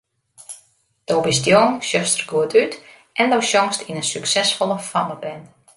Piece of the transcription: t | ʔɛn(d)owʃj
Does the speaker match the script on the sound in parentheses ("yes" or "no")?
yes